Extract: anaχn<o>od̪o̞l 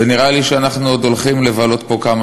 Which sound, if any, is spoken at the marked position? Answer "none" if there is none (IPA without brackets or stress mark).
u